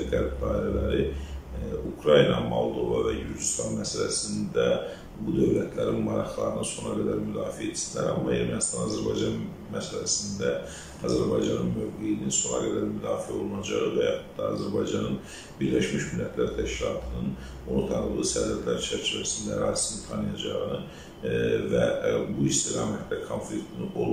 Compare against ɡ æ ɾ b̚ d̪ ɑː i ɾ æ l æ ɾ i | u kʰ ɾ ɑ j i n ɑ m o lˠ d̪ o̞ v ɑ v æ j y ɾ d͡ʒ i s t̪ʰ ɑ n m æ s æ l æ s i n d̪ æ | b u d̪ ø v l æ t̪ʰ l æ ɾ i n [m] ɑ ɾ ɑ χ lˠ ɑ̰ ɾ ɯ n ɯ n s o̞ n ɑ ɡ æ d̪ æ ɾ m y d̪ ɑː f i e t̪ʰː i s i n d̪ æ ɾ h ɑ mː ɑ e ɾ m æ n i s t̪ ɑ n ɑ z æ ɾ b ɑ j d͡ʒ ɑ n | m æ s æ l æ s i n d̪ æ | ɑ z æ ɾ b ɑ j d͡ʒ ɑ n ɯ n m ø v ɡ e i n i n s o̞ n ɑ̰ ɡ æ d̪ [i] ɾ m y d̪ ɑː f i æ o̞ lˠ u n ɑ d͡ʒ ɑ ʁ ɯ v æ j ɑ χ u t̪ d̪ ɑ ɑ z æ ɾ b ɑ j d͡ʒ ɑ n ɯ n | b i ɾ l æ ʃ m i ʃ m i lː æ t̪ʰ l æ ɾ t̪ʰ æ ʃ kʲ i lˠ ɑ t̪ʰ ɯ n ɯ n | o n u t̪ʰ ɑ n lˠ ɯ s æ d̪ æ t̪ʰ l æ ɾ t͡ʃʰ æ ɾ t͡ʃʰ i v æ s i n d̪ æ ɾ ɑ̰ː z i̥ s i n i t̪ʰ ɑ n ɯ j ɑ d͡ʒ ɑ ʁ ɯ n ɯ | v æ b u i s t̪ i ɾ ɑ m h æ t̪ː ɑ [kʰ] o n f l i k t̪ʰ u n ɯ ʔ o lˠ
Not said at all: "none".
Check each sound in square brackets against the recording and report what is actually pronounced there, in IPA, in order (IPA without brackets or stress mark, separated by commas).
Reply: m, æ, kʰ